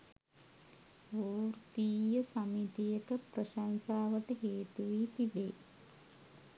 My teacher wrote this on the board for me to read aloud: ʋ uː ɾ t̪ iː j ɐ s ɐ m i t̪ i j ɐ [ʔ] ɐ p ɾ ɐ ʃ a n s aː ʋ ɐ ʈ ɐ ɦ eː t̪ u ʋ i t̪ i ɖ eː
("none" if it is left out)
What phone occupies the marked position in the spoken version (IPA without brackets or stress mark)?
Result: k